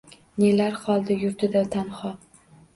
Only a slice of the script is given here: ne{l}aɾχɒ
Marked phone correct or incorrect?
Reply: correct